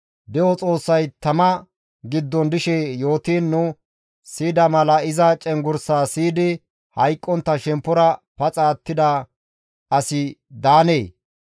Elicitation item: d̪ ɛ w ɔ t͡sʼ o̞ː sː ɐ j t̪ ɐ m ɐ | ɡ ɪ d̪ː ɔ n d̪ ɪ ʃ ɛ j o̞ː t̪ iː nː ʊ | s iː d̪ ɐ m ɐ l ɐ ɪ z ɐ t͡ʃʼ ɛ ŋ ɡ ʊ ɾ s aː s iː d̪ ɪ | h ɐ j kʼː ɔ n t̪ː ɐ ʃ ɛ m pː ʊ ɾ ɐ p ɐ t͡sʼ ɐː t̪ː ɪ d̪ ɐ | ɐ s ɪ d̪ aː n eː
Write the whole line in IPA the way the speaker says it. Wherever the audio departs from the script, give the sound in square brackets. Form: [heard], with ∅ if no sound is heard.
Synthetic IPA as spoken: d̪ ɛ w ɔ t͡sʼ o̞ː sː ɐ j t̪ ɐ m ɐ | ɡ ɪ d̪ː ɔ n d̪ ɪ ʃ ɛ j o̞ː t̪ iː nː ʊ | s iː d̪ ɐ m ɐ l ɐ ɪ z ɐ t͡ʃʼ ɛ ŋ ɡ ʊ ɾ s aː s iː d̪ ɪ | h ɐ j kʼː ɔ n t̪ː ɐ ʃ ɛ m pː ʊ ɾ ɐ p ɐ t͡sʼ [aː] t̪ː ɪ d̪ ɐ | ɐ s ɪ d̪ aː n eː